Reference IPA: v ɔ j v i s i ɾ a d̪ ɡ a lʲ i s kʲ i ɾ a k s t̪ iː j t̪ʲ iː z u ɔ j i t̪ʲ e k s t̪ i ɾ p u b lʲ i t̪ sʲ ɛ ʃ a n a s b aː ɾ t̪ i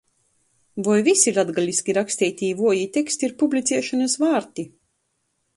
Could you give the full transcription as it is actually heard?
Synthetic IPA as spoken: v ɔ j v i s i ɾ a d̪ ɡ a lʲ i s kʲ i ɾ a k s t̪ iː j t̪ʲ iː v u ɔ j i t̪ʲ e k s t̪ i ɾ p u b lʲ i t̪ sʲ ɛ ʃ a n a s v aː ɾ t̪ i